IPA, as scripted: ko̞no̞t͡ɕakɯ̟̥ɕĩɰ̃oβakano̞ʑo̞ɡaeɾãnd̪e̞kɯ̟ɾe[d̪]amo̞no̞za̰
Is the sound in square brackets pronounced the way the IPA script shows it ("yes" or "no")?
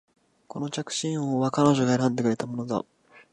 no